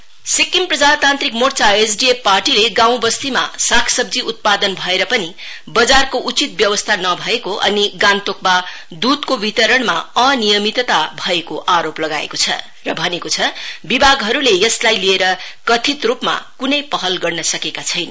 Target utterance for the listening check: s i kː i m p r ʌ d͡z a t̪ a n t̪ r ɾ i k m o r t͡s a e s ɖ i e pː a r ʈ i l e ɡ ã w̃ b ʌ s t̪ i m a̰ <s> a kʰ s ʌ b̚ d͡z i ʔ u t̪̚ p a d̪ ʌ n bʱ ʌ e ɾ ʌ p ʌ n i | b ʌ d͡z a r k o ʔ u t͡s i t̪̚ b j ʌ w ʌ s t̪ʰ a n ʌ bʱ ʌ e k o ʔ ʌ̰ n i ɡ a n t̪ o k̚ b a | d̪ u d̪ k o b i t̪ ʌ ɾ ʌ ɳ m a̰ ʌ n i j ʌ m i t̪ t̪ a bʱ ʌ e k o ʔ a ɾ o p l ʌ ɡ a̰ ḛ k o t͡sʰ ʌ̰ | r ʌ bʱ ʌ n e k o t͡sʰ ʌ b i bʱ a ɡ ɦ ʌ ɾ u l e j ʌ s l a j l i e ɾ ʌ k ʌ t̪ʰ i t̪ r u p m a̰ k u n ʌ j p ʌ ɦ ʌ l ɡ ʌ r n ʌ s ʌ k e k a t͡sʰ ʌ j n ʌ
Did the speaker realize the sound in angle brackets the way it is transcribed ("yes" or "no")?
yes